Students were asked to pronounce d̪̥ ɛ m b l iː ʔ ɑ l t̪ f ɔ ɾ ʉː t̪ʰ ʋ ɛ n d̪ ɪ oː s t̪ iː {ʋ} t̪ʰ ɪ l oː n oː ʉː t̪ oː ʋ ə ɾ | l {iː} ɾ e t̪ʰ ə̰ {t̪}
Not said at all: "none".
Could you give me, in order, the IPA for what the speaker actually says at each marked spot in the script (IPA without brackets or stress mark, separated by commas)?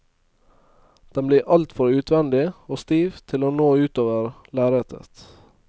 ʋ, æː, t̪